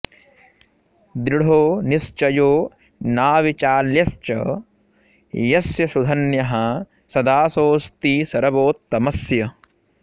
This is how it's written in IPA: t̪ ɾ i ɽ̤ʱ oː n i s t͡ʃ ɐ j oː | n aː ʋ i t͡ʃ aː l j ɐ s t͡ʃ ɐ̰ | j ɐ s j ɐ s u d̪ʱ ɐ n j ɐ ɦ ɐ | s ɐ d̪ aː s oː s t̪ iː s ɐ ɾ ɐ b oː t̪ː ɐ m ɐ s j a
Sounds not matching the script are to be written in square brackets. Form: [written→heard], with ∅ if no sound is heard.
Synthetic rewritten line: [t̪→d̪] ɾ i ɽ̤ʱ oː n i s t͡ʃ ɐ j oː | n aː ʋ i t͡ʃ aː l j ɐ s t͡ʃ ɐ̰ | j ɐ s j ɐ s u d̪ʱ ɐ n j ɐ ɦ ɐ | s ɐ d̪ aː s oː s t̪ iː s ɐ ɾ ɐ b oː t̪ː ɐ m ɐ s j [a→ɐ]